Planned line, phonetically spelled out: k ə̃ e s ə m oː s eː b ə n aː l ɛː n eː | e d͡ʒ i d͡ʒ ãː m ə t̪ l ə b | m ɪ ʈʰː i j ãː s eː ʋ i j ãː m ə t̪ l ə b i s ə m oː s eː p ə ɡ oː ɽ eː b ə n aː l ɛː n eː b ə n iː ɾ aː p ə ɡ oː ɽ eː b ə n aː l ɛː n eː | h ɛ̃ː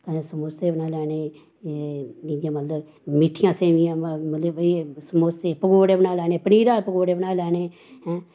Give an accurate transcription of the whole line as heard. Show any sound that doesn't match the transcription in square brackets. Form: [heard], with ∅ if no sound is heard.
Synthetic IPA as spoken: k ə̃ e s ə m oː s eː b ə n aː l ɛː n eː | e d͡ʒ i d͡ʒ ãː m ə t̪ l ə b | m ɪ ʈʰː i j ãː s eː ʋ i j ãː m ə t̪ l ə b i s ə m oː s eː p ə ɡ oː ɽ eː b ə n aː l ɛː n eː [p] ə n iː ɾ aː p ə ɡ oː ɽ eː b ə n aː l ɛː n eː | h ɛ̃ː